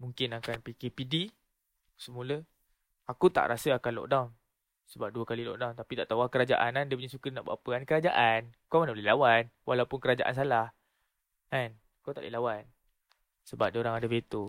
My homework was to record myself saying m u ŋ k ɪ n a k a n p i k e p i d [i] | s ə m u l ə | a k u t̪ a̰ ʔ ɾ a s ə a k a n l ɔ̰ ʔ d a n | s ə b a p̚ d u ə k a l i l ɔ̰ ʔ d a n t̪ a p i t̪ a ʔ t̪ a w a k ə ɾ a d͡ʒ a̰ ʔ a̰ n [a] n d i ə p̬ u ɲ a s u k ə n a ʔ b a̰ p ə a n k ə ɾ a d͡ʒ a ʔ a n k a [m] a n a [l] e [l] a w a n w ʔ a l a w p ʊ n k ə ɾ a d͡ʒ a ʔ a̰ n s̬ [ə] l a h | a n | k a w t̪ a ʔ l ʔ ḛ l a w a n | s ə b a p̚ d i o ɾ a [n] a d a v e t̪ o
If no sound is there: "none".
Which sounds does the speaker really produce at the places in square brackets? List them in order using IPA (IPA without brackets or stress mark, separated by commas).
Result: i, a, m, l, l, a, ŋ